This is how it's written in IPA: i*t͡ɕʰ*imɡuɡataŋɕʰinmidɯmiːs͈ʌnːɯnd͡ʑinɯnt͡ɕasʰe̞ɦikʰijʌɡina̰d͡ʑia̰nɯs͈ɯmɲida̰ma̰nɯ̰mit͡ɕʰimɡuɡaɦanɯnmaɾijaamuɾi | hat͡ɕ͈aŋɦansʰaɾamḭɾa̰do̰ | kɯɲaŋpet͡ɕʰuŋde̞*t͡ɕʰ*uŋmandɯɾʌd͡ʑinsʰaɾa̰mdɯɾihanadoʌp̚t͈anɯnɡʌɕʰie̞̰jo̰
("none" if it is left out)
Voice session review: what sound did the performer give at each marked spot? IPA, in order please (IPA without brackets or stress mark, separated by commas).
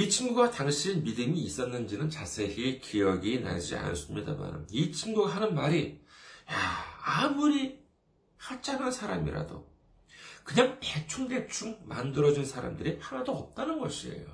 t͡ɕʰ, t͡ɕʰ